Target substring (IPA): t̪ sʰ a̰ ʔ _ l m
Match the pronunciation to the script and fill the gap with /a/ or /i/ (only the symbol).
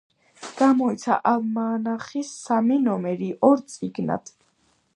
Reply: a